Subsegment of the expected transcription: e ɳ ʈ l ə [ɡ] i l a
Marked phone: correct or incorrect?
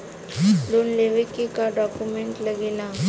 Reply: correct